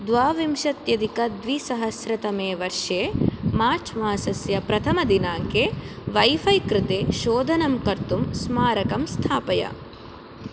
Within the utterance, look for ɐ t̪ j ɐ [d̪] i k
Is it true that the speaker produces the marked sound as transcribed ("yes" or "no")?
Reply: yes